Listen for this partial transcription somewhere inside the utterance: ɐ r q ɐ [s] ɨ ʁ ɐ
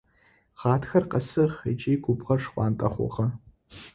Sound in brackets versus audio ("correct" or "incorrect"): correct